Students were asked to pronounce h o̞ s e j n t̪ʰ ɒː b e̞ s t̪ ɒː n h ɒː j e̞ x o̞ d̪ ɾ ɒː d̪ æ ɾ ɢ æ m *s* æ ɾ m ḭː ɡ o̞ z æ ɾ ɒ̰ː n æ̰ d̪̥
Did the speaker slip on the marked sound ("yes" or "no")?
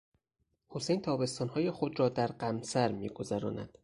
no